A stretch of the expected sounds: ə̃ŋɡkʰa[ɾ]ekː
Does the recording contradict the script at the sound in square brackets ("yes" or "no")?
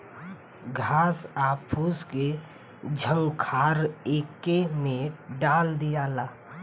no